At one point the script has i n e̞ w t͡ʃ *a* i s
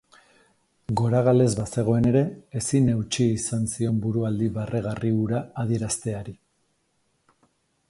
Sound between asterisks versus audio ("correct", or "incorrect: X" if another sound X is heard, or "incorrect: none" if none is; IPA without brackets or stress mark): incorrect: i